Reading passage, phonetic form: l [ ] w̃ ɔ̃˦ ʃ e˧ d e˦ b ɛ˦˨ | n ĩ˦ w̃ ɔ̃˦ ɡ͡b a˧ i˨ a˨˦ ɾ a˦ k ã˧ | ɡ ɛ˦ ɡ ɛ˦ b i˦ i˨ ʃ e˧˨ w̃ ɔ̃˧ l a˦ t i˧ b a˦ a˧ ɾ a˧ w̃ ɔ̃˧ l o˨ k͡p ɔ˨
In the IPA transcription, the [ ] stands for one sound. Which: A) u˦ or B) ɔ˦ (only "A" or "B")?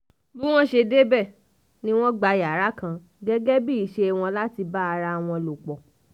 A